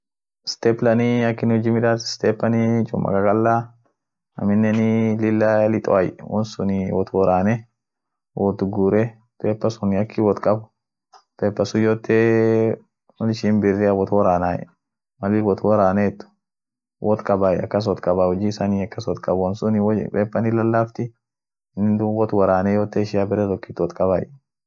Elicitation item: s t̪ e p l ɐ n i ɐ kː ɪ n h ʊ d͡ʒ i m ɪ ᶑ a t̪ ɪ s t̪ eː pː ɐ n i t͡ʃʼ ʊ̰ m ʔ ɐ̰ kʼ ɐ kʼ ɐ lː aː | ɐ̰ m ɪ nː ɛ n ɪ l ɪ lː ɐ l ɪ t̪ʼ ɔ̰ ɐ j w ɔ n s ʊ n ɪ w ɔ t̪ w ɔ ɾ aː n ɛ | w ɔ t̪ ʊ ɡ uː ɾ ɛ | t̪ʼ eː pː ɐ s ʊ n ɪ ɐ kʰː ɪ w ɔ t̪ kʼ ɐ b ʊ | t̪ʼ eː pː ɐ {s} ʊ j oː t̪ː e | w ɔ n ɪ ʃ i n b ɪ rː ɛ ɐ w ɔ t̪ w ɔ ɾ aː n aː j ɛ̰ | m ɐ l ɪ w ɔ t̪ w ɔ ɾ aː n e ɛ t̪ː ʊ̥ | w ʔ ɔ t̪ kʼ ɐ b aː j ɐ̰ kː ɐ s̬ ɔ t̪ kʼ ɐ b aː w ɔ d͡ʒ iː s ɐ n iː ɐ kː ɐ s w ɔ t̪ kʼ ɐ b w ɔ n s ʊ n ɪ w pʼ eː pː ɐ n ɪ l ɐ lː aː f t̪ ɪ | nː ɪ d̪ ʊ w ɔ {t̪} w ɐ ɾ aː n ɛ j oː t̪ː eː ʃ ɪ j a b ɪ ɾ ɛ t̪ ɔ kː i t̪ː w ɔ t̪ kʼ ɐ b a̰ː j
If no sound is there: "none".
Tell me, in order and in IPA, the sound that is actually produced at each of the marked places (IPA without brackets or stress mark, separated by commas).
s, t̪